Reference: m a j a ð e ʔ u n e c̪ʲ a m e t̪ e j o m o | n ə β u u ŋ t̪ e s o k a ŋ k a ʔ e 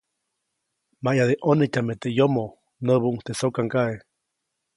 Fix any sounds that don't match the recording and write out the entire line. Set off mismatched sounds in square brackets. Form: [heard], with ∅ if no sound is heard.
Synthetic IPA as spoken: m a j a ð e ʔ [o] n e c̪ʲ a m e t̪ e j o m o | n ə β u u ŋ t̪ e s o k a ŋ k a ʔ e